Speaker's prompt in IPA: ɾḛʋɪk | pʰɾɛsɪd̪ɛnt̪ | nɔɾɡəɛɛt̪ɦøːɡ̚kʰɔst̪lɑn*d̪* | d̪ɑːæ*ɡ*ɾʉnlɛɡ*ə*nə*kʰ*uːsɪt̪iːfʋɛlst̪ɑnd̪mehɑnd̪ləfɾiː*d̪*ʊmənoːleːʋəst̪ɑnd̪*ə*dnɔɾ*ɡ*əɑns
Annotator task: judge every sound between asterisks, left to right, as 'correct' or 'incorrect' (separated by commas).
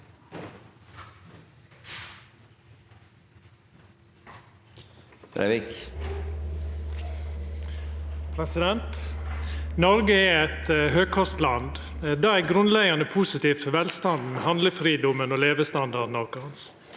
correct, correct, incorrect, incorrect, correct, incorrect, incorrect